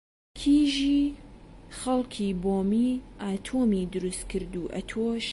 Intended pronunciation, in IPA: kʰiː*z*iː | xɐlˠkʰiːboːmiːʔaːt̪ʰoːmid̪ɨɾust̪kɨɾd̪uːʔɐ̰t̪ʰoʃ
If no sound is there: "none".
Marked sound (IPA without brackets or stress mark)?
ʒ